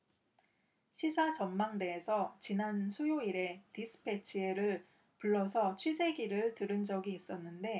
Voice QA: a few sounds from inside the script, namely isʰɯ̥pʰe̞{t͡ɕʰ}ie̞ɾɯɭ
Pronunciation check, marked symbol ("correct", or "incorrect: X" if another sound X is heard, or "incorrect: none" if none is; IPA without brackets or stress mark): correct